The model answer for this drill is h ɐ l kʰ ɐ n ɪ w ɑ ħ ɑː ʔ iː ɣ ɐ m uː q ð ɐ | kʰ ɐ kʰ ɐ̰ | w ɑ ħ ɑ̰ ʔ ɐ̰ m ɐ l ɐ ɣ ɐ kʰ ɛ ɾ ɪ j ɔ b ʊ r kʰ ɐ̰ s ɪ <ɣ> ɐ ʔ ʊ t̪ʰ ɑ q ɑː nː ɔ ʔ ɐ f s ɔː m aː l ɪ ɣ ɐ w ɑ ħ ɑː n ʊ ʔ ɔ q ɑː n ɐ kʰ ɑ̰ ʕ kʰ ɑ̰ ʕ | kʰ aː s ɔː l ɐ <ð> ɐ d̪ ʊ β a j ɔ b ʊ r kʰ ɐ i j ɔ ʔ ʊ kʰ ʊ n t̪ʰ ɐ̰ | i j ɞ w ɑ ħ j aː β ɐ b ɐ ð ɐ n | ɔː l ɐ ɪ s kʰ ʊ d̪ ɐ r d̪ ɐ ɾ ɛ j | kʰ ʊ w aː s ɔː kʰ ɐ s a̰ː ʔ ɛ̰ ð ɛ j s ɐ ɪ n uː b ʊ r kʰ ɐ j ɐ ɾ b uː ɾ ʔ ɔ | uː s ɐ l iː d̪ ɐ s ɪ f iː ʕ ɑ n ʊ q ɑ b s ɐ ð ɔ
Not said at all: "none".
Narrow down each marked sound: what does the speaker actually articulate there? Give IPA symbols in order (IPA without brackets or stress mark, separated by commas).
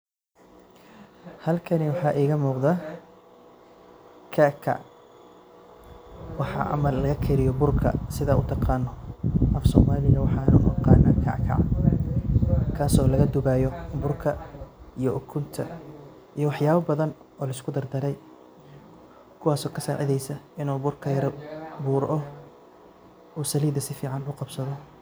ð, ɣ